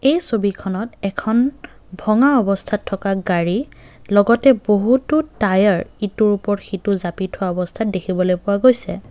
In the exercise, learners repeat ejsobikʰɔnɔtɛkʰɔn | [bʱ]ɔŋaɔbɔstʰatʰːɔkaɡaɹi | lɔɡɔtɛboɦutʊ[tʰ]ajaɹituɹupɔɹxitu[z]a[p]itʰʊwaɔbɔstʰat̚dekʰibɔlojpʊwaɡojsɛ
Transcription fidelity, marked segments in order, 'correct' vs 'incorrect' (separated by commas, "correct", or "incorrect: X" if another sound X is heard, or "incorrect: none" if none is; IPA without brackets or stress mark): correct, incorrect: t, correct, correct